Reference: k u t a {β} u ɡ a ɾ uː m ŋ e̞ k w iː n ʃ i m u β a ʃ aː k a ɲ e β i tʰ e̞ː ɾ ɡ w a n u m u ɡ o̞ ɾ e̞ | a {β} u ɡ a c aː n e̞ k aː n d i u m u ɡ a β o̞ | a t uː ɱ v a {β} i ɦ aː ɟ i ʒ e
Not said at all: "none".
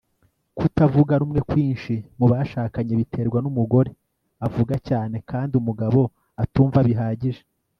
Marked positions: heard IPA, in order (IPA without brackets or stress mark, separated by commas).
v, v, β